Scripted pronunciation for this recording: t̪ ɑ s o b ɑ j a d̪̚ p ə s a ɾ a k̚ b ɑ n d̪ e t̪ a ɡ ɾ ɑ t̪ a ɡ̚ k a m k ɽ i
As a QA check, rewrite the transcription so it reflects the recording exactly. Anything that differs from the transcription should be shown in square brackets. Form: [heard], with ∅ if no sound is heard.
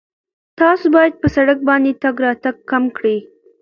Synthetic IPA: t̪ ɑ s o b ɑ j a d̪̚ p ə s a [ɽ] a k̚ b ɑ n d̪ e t̪ a ɡ ɾ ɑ t̪ a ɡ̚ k a m k ɽ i